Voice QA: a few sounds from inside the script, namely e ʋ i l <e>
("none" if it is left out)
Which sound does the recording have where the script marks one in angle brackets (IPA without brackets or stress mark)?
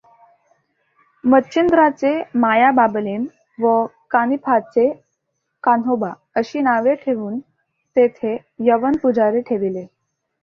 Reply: e